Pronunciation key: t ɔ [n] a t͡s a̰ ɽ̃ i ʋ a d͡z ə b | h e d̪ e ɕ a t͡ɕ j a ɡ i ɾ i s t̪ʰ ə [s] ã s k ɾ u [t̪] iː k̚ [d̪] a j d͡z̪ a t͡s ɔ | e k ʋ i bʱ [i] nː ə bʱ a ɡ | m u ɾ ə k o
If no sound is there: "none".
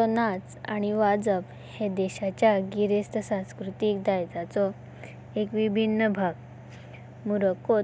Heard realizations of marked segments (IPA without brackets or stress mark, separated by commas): n, s, t̪, d̪, i